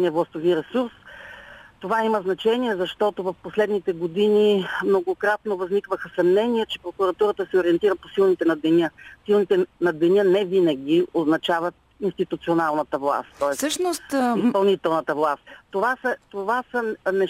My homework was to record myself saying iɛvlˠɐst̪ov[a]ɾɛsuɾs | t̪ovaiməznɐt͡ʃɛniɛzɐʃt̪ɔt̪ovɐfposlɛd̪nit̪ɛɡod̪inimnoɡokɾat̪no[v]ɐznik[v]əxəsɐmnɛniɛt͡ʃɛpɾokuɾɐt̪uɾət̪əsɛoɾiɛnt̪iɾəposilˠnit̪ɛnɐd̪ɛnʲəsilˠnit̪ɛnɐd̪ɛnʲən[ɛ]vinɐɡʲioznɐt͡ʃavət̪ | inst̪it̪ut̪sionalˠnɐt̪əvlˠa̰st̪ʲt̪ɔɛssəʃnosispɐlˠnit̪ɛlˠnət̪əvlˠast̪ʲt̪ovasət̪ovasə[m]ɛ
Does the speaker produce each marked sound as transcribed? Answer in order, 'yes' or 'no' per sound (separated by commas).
no, yes, yes, yes, no